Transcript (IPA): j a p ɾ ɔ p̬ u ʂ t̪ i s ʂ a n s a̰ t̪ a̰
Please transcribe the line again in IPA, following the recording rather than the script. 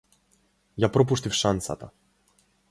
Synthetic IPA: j a p ɾ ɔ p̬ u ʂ t̪ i f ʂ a n s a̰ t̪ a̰